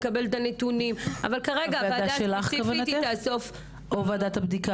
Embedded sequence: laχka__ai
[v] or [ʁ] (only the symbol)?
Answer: v